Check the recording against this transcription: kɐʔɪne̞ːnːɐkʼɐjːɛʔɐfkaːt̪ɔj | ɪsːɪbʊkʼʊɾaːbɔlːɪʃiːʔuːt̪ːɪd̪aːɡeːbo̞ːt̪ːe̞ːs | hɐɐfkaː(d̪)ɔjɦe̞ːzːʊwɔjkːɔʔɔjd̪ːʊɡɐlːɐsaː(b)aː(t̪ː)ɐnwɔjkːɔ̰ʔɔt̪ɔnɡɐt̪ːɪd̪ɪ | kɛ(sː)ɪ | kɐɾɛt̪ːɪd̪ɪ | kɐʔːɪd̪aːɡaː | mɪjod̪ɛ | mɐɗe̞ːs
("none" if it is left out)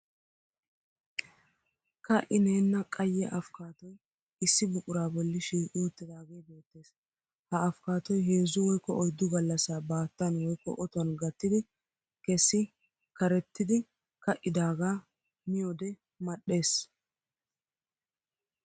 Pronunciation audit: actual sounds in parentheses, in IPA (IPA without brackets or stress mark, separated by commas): t̪, b, t̪ː, sː